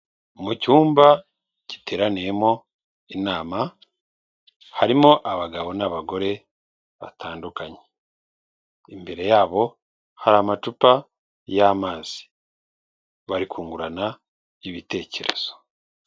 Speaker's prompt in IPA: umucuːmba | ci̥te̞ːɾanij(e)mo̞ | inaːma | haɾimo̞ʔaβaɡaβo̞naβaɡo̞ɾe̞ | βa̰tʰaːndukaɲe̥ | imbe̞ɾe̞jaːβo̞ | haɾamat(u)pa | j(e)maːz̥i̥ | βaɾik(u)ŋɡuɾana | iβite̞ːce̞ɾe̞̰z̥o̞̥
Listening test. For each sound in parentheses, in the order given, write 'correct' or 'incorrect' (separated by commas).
correct, correct, incorrect, incorrect